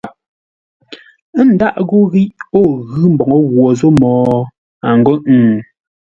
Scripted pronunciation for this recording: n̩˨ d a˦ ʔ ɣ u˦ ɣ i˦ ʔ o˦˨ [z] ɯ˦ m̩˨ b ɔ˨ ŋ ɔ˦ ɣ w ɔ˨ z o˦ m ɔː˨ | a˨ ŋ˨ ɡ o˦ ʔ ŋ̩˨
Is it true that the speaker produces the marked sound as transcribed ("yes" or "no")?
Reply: no